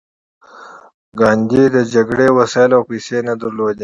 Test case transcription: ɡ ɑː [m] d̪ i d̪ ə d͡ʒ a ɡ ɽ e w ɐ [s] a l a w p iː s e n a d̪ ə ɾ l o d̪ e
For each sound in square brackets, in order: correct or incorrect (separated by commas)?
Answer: incorrect, correct